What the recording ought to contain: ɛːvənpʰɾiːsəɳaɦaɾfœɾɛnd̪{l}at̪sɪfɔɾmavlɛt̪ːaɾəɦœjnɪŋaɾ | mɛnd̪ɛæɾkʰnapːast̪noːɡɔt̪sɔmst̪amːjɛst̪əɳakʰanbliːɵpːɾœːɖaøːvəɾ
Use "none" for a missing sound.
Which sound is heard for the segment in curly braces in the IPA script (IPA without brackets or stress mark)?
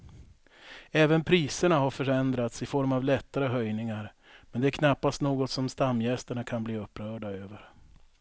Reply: ɾ